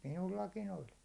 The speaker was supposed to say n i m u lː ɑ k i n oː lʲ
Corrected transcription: m i n u lː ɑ k i n o lʲ